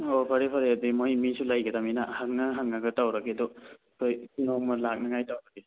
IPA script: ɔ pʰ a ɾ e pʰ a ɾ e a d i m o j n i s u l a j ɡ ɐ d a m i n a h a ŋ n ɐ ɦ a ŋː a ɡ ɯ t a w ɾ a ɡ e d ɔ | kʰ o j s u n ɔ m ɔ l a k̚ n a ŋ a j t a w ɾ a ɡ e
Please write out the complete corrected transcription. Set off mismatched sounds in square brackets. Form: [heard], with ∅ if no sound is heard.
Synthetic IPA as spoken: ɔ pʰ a ɾ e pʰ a ɾ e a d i m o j [m] i s u l a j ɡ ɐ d a m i n a h a ŋ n [a] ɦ a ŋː a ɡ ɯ t a w ɾ a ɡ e d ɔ | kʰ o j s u n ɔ m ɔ l a k̚ n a ŋ a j t a w ɾ a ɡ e

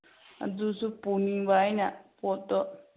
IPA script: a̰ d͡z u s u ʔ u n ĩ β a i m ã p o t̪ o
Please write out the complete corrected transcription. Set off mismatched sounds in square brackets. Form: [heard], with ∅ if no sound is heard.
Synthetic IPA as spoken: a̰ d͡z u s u [p] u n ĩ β a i [n] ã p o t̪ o

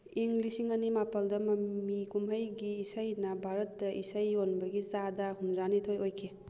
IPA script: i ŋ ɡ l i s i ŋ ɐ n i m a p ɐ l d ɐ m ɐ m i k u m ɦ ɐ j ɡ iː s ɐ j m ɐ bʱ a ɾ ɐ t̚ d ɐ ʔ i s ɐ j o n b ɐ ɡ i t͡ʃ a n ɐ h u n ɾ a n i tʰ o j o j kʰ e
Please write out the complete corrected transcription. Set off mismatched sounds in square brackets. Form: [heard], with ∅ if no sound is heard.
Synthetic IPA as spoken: i ŋ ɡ l i s i ŋ ɐ n i m a p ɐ l d ɐ m ɐ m i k u m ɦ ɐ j ɡ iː s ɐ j [n] ɐ bʱ a ɾ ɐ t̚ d ɐ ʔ i s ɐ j o n b ɐ ɡ i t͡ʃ a [d] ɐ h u n ɾ a n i tʰ o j o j kʰ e

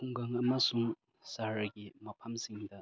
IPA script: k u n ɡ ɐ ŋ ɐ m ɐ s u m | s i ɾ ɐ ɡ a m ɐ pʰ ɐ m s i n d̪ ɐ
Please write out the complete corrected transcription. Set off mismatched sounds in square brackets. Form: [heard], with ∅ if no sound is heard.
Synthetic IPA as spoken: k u [ŋ] ɡ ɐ ŋ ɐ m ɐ s u [ŋ] | s [a] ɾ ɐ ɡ [i] m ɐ pʰ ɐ m s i [ŋ] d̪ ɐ

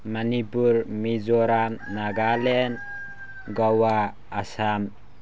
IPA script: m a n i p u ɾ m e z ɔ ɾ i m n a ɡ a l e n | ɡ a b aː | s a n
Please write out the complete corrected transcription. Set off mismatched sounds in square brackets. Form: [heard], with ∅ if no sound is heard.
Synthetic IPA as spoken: m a n i p u ɾ m [i] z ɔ ɾ [a] m n a ɡ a l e n | ɡ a [w] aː | s a [m]

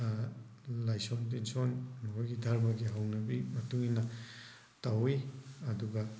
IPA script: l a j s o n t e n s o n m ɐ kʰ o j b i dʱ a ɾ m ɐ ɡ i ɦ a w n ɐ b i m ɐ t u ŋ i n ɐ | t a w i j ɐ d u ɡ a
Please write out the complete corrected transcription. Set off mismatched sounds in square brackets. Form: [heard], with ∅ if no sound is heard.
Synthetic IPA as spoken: l a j s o n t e n s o n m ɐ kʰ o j [ɡ] i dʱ a ɾ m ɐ ɡ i ɦ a w n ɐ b i m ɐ t u ŋ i n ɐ | t a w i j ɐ d u ɡ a

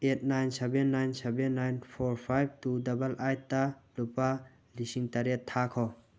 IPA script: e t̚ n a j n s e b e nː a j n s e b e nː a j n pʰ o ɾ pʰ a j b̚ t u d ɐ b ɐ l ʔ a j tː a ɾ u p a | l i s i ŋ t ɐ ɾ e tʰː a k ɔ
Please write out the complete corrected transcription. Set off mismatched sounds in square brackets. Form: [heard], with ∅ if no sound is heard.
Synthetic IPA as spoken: e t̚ n a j n s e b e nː a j n s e b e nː a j n pʰ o ɾ pʰ a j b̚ t u d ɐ b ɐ l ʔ a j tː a [l] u p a | l i s i ŋ t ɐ ɾ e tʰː a [kʰ] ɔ

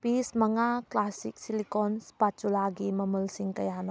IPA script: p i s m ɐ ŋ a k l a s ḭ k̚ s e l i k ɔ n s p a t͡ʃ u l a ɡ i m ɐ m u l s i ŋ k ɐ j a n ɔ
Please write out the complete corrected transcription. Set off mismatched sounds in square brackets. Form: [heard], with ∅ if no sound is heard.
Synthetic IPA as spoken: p i s m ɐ ŋ a k l a s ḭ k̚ s [i] l i k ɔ n s p a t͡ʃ u l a ɡ i m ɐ m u l s i ŋ k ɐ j a n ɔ

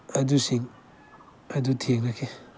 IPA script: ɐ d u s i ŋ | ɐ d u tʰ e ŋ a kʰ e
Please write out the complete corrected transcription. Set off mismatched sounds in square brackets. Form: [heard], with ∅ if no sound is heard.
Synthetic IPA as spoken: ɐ d u s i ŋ | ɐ d u tʰ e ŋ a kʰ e

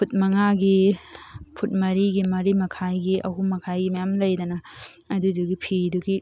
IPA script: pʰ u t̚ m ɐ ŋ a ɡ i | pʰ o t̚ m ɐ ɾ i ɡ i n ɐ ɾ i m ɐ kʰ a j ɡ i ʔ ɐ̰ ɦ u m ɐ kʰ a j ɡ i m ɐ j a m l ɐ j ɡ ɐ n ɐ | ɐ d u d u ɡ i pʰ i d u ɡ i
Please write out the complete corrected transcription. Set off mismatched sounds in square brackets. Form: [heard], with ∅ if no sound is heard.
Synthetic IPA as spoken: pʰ u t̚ m ɐ ŋ a ɡ i | pʰ [u] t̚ m ɐ ɾ i ɡ i [m] ɐ ɾ i m ɐ kʰ a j ɡ i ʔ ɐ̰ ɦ u m ɐ kʰ a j ɡ i m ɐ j a m l ɐ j [d] ɐ n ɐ | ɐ d u d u ɡ i pʰ i d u ɡ i

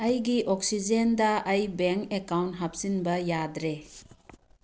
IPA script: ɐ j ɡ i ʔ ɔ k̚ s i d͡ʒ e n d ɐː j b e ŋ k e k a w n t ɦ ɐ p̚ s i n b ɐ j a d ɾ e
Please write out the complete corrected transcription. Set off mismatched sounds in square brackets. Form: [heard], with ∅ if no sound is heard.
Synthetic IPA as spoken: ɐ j ɡ i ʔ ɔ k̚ s i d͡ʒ e n d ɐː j b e ŋ k e k a w n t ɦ [a] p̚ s i n b ɐ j a d ɾ e

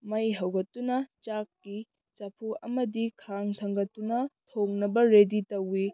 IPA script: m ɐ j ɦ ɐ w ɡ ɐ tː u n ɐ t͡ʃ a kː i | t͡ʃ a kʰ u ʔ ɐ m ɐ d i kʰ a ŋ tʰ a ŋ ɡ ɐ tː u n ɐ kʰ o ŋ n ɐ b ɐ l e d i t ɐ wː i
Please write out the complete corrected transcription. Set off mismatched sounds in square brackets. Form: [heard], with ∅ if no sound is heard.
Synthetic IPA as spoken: m ɐ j ɦ ɐ w ɡ ɐ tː u n ɐ t͡ʃ a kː i | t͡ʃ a [pʰ] u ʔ ɐ m ɐ d i kʰ a ŋ tʰ [ɐ] ŋ ɡ ɐ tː u n ɐ [tʰ] o ŋ n ɐ b ɐ [ɾ] e d i t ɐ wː i

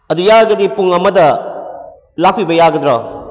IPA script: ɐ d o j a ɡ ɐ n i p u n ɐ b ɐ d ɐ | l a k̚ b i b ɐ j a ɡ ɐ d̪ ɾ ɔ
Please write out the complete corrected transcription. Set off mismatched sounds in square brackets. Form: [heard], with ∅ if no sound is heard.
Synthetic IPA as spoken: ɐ d [u] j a ɡ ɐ [d] i p u [ŋ] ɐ [m] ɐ d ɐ | l a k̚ [p] i b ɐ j a ɡ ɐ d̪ ɾ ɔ

